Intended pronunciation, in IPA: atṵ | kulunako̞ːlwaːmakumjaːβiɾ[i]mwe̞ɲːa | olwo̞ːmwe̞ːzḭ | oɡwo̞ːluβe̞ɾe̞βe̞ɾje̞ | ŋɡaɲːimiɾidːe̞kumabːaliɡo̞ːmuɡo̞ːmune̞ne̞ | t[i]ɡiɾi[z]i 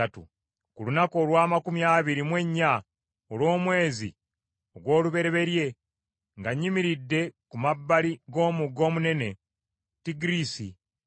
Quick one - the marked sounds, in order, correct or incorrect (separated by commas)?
correct, correct, incorrect